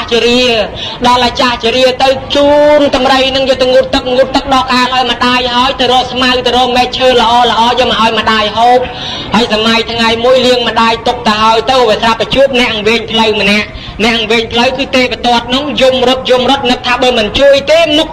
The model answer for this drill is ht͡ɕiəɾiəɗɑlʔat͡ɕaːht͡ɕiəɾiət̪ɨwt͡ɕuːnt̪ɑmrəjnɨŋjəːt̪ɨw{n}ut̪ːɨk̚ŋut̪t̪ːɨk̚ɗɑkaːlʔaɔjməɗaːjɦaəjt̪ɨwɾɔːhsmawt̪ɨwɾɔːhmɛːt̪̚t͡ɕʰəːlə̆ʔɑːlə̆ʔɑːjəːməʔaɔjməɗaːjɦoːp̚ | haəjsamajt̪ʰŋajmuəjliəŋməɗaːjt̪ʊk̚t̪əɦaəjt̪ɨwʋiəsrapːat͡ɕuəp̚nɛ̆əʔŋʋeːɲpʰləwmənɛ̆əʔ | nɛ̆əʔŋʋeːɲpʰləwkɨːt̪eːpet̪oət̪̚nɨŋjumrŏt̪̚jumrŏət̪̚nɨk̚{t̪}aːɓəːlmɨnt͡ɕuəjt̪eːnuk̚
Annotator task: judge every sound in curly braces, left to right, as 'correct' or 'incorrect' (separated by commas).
incorrect, incorrect